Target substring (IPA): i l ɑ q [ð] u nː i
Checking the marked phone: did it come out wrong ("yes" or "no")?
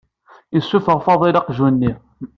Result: yes